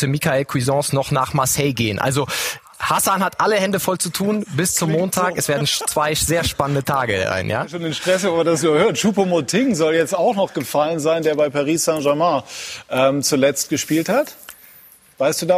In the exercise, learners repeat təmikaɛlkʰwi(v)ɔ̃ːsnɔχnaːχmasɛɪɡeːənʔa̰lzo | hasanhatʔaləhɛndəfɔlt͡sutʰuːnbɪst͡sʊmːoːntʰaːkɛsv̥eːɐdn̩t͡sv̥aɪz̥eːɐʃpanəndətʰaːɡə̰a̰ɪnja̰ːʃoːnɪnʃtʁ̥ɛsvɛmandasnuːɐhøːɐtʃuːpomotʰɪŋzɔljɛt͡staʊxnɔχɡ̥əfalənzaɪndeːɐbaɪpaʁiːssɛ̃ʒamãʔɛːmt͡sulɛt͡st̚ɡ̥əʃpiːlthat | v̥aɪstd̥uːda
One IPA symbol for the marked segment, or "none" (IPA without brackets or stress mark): z